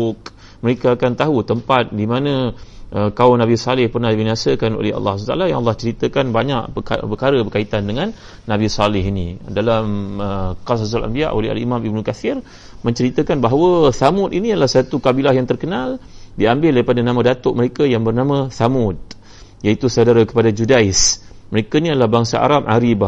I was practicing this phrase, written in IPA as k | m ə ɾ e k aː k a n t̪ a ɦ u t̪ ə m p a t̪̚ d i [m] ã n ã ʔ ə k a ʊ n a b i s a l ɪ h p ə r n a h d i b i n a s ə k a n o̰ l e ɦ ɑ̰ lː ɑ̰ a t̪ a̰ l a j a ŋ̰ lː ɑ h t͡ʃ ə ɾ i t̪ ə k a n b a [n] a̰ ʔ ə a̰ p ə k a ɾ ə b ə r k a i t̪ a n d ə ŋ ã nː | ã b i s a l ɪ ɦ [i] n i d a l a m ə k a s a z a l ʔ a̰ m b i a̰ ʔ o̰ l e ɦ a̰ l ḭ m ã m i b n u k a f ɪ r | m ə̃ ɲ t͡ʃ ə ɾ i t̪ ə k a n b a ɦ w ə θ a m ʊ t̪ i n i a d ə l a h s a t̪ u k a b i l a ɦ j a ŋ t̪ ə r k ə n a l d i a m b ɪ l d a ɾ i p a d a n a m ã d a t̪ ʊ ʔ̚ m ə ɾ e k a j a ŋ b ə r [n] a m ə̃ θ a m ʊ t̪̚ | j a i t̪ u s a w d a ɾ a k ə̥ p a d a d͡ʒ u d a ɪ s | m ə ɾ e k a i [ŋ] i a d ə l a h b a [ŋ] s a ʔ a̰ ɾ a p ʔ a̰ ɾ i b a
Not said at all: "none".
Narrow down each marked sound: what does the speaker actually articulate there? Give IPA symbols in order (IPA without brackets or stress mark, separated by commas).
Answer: m, ɲ, i, n, n, ŋ